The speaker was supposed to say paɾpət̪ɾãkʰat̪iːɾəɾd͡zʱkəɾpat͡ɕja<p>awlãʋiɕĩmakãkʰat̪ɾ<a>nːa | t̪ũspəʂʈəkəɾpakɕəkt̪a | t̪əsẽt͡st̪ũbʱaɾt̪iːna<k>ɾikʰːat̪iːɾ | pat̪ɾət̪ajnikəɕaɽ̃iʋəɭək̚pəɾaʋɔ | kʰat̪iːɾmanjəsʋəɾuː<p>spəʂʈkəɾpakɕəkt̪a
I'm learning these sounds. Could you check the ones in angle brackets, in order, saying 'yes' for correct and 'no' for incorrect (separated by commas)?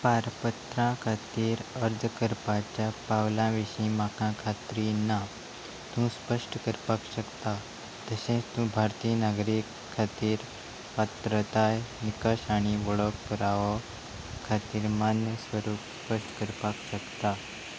yes, no, no, yes